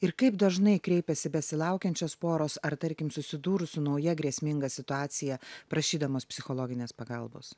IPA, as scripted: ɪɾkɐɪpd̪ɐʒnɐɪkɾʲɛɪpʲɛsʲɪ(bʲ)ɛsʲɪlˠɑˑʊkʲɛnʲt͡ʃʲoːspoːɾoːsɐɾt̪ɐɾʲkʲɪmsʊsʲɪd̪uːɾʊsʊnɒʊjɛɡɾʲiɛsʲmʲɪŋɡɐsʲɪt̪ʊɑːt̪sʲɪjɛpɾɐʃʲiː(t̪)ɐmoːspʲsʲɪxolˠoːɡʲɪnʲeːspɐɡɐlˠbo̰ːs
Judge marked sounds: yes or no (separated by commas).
yes, no